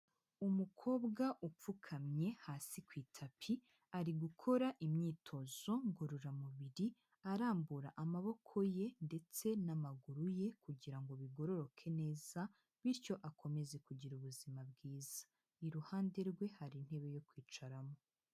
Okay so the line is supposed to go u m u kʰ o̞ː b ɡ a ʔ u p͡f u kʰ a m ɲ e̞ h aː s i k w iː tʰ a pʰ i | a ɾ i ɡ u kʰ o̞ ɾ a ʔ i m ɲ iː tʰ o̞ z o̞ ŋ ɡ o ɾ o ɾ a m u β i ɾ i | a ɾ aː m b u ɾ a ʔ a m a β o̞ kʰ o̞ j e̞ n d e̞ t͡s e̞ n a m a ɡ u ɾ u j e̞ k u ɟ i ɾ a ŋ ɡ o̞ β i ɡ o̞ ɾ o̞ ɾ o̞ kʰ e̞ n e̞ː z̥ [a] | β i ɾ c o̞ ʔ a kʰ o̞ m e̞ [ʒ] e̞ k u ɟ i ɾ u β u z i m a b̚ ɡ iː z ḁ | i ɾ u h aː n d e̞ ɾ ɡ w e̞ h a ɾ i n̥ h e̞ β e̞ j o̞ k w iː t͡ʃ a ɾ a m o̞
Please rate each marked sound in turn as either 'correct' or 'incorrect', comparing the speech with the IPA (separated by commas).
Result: correct, incorrect